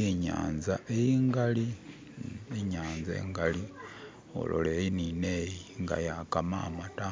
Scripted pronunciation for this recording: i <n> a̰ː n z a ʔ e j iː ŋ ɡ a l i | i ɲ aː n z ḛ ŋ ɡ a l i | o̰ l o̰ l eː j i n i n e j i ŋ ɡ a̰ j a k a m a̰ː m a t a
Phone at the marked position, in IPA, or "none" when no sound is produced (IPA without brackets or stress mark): ɲ